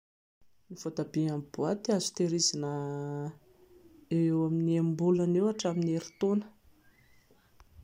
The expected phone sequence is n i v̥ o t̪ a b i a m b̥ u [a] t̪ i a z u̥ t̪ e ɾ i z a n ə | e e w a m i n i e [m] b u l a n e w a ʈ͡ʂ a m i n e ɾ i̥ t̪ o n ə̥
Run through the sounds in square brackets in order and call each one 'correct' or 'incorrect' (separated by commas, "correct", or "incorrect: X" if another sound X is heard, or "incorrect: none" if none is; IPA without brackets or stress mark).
correct, correct